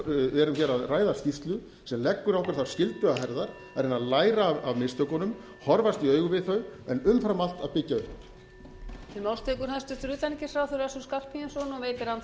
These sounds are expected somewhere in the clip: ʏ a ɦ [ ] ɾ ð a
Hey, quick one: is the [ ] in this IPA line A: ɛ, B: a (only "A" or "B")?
A